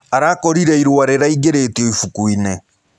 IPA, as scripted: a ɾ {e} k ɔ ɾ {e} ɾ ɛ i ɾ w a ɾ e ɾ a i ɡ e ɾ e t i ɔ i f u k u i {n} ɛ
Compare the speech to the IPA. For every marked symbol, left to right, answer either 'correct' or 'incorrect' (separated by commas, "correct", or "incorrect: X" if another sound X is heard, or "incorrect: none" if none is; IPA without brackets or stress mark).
incorrect: a, incorrect: i, correct